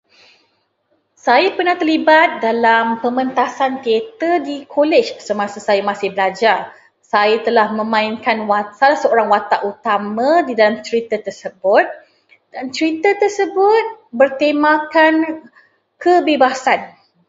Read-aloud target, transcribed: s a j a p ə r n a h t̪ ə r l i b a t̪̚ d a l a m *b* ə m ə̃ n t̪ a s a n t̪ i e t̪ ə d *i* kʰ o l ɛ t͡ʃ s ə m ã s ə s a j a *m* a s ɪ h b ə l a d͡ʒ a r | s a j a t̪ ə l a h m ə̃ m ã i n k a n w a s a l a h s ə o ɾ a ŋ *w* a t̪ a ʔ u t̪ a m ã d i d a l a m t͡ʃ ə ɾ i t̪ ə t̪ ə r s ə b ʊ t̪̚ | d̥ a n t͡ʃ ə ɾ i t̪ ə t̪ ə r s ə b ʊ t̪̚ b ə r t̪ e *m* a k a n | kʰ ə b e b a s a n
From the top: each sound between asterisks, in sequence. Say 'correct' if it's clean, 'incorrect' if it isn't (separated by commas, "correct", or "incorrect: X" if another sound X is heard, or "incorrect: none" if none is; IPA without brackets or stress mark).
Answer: incorrect: p, correct, correct, correct, correct